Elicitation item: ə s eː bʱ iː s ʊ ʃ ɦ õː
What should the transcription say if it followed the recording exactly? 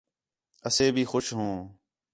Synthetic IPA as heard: ə s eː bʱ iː x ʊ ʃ ɦ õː